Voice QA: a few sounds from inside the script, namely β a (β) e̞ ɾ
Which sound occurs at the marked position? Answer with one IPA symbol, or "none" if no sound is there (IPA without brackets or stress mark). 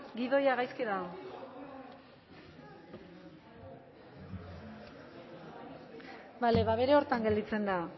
β